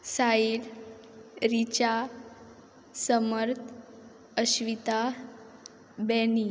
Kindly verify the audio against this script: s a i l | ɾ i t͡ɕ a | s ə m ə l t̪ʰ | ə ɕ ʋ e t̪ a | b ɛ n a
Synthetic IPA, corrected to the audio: s a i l | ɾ i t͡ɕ a | s ə m ə ɾ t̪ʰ | ə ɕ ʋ i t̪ a | b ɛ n i